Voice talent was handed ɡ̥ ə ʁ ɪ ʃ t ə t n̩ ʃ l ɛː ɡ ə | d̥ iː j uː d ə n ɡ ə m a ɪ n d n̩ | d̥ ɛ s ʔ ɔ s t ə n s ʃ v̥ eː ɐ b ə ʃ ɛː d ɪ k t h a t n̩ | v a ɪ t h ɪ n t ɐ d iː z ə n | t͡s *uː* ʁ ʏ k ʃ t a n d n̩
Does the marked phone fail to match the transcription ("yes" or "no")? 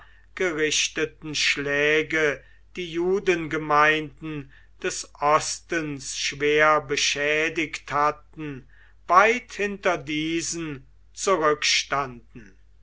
yes